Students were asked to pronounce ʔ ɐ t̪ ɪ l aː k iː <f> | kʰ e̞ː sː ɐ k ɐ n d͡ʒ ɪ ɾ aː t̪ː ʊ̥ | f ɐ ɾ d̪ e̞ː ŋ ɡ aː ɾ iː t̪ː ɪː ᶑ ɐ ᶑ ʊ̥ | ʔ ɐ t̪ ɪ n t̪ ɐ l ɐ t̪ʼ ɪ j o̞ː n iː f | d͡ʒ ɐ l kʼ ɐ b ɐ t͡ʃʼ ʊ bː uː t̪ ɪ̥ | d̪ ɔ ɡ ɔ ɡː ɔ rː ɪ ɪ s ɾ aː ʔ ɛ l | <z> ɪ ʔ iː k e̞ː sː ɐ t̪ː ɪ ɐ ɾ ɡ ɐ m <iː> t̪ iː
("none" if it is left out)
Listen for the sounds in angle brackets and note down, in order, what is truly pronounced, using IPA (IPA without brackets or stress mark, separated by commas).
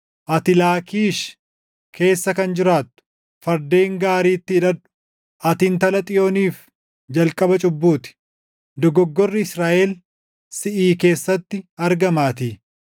ʃ, s, aː